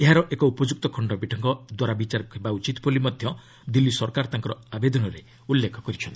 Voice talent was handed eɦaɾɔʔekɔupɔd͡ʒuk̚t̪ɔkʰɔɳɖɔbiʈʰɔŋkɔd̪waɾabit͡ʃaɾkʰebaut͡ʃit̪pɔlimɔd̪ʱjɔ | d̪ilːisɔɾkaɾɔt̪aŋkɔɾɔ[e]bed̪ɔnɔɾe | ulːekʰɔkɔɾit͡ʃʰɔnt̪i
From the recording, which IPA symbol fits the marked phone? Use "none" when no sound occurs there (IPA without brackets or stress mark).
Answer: a